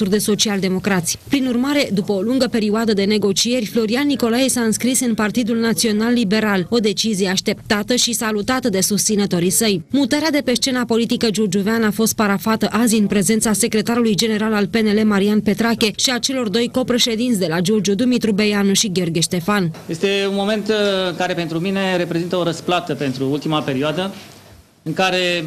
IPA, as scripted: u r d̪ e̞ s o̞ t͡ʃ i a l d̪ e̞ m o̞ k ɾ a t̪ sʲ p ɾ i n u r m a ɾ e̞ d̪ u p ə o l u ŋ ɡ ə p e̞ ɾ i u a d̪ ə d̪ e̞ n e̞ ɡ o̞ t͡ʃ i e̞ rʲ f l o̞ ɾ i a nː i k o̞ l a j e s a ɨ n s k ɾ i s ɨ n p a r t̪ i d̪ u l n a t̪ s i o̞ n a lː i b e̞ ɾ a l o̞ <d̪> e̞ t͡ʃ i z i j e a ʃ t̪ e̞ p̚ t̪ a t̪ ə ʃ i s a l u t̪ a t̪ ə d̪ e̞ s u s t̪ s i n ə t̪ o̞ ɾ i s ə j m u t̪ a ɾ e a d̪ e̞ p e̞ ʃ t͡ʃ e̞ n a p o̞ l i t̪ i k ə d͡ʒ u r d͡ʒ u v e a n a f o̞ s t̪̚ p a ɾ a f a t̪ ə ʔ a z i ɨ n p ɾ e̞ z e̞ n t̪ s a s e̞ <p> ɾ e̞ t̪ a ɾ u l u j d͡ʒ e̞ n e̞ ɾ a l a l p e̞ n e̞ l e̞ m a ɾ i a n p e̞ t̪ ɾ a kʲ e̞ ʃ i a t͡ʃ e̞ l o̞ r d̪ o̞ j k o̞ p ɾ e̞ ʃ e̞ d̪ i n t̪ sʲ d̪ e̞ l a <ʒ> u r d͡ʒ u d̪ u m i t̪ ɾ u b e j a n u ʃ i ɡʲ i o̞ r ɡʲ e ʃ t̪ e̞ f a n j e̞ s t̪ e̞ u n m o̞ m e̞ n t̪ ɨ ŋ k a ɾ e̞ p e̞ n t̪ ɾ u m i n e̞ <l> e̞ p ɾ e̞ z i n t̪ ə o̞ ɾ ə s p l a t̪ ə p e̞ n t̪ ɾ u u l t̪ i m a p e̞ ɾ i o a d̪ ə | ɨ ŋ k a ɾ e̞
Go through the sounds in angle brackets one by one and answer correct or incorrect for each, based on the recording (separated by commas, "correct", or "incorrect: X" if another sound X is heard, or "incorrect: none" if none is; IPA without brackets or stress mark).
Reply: correct, incorrect: k, incorrect: d͡ʒ, incorrect: ɾ